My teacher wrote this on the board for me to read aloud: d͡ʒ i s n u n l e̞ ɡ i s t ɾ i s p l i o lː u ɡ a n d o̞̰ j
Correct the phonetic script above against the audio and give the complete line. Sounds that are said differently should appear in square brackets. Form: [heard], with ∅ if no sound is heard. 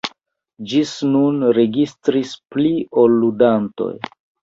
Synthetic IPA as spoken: d͡ʒ i s n u n [ɾ] e̞ ɡ i s t ɾ i s p l i o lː u [d] a n [t] o̞̰ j